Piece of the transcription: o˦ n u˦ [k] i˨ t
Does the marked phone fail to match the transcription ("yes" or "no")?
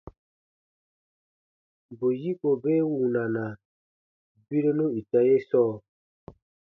yes